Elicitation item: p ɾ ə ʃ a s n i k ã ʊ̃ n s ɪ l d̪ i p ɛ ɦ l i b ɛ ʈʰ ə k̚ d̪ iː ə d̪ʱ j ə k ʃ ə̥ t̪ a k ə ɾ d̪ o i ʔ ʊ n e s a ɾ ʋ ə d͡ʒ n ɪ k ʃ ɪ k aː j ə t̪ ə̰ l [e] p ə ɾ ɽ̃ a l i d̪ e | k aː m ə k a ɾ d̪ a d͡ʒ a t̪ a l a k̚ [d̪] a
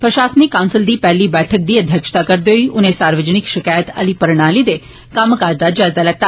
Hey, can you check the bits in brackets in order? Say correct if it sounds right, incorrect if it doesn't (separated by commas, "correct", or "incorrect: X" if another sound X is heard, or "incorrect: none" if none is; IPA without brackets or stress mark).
incorrect: i, incorrect: t̪